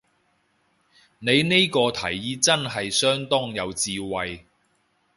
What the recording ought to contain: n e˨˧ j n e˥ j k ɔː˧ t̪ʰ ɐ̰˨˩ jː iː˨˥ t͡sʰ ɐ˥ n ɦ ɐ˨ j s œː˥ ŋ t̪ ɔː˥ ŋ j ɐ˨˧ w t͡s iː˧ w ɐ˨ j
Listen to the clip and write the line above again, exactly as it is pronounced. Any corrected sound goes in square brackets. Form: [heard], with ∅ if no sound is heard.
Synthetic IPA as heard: n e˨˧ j n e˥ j k ɔː˧ t̪ʰ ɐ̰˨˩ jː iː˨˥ [t͡s] ɐ˥ n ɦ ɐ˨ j s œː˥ ŋ t̪ ɔː˥ ŋ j ɐ˨˧ w t͡s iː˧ w ɐ˨ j